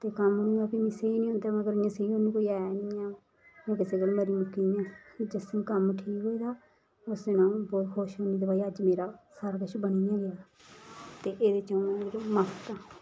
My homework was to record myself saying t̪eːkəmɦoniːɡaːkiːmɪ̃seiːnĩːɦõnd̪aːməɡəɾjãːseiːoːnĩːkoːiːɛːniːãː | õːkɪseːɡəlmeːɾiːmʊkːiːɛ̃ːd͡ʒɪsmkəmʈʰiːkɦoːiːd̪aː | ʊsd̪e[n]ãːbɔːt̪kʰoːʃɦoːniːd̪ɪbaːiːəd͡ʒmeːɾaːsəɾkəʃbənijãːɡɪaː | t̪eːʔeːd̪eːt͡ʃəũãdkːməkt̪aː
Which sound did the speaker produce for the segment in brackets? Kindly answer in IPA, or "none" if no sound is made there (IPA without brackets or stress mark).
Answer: n